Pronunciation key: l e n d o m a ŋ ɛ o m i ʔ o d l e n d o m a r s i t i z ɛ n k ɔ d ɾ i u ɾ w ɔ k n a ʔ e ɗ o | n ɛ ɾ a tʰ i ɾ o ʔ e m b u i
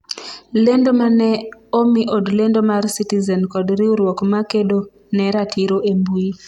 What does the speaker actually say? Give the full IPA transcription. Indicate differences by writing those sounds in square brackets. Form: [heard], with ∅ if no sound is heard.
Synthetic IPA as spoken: l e n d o m a [n] ɛ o m i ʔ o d l e n d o m a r s i t i z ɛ n k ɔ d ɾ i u ɾ w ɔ k [m] a [k] e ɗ o | n ɛ ɾ a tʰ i ɾ o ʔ e m b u i